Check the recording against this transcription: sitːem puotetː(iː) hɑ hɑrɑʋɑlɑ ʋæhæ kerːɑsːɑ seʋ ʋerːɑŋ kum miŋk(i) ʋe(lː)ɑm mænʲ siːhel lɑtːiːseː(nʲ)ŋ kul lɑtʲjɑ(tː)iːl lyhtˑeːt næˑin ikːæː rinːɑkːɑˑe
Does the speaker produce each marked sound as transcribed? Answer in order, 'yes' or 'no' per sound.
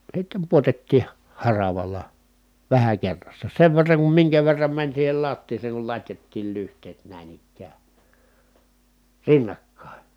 yes, no, no, no, yes

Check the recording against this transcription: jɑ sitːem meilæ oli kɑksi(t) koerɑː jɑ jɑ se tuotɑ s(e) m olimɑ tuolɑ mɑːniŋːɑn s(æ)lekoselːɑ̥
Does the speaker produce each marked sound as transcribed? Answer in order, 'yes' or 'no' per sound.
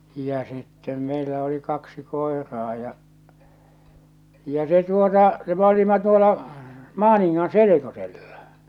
no, yes, no

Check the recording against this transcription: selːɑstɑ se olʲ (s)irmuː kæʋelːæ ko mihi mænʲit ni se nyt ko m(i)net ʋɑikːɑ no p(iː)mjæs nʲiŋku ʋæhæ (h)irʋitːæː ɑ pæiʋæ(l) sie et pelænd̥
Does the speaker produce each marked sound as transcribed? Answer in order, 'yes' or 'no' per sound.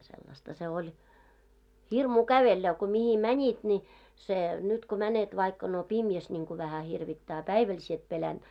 no, no, no, yes, yes

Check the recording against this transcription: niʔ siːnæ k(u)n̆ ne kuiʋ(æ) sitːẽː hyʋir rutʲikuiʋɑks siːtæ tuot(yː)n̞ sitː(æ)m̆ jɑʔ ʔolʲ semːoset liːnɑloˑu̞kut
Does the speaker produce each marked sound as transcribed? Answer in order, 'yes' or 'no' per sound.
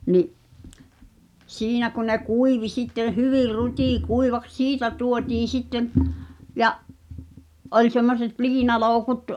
yes, no, no, no

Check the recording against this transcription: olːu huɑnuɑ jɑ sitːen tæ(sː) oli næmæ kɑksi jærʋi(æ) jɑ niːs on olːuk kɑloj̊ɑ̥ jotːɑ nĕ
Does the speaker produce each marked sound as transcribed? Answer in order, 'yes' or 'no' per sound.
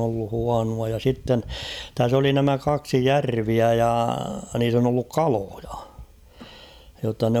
no, yes

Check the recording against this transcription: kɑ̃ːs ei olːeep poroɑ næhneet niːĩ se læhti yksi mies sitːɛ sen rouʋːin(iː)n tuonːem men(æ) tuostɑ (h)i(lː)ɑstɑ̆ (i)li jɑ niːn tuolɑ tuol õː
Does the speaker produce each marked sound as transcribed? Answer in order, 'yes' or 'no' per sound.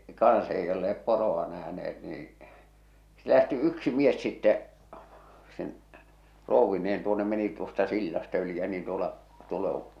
no, no, no, yes, no

